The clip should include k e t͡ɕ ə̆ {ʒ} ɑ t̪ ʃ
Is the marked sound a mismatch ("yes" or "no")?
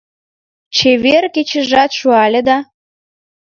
no